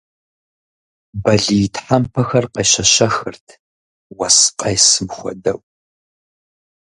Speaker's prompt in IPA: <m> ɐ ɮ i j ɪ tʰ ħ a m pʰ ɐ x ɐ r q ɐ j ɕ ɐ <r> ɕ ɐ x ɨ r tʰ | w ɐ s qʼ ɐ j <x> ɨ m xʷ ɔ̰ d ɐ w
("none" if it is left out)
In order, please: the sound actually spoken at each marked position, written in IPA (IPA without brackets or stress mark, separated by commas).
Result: b, none, s